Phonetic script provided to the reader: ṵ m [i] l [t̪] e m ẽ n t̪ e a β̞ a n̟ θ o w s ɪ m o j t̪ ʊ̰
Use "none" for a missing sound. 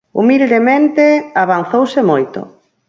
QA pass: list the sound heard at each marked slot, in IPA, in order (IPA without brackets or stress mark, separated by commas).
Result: i, d̪